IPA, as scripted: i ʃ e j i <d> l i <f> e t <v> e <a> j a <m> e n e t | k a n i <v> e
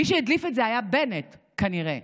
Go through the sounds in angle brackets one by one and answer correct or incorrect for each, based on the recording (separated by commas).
correct, correct, incorrect, correct, incorrect, incorrect